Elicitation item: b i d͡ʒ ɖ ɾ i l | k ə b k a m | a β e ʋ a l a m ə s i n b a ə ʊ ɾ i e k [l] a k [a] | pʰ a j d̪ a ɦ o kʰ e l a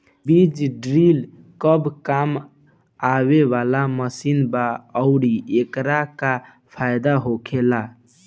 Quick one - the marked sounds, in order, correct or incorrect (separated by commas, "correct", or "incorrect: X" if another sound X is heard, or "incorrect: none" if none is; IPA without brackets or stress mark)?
incorrect: ɾ, correct